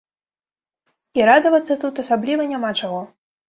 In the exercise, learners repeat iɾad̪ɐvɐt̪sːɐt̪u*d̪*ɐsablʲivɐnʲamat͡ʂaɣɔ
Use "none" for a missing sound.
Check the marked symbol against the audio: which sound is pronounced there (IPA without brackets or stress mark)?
t̪